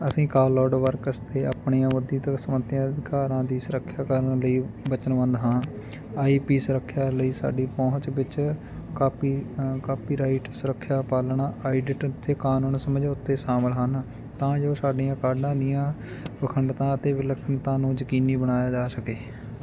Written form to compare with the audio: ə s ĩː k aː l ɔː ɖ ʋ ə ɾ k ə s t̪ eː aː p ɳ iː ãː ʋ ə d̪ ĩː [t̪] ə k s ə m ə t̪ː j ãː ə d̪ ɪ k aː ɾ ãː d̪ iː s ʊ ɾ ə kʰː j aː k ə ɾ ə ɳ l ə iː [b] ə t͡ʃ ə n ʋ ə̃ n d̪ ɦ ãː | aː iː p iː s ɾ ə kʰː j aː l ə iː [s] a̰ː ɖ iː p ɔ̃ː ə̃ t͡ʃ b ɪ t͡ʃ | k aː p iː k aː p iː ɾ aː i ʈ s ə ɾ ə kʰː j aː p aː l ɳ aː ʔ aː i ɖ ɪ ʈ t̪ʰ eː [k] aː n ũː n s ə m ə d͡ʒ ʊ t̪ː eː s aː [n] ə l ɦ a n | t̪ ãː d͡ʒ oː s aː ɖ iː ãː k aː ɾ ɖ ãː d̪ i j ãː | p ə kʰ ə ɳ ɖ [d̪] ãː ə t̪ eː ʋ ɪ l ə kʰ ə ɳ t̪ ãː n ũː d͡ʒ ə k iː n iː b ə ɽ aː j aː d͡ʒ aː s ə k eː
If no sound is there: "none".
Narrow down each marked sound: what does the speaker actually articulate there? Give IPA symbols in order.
t̪, b, s, k, m, t̪

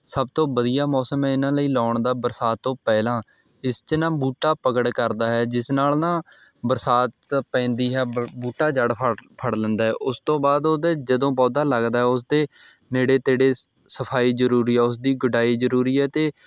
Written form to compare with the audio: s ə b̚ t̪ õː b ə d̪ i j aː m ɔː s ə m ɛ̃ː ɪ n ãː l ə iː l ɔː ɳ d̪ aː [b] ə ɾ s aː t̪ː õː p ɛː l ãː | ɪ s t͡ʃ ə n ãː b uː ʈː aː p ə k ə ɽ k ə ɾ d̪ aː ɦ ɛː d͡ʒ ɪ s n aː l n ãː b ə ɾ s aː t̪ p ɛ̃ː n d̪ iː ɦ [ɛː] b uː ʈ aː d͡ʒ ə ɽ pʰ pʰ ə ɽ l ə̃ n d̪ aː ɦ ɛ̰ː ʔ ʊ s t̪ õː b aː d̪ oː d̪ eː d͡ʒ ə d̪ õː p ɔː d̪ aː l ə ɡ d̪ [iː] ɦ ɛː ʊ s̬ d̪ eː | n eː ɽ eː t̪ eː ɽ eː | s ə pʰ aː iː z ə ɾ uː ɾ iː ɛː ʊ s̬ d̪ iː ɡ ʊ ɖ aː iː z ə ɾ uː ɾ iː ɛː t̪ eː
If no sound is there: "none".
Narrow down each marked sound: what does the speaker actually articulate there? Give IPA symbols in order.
b, ɛː, aː

